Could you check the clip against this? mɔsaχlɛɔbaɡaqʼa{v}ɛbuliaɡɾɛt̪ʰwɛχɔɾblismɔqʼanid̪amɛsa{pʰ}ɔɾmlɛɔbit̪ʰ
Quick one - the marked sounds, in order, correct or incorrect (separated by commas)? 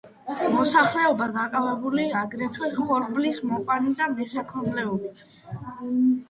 correct, incorrect